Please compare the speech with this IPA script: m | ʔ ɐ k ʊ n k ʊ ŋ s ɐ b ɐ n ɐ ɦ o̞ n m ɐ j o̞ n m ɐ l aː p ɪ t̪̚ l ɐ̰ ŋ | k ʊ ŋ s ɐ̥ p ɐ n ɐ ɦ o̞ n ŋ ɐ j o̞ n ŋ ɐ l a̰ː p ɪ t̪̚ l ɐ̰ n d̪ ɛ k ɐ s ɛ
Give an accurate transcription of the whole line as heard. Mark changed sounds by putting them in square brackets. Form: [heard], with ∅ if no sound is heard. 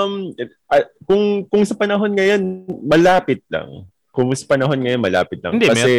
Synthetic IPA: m | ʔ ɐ k ʊ [ŋ] k ʊ ŋ s ɐ [p] ɐ n ɐ ɦ o̞ n [ŋ] ɐ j o̞ n m ɐ l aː p ɪ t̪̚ l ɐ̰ ŋ | k ʊ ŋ s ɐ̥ p ɐ n ɐ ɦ o̞ n ŋ ɐ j o̞ n [m] ɐ l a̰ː p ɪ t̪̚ l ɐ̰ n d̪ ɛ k ɐ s ɛ